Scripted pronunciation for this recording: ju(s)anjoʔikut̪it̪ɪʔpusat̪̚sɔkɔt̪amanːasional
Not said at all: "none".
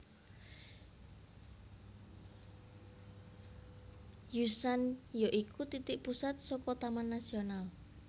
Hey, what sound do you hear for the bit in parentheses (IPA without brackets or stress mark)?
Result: s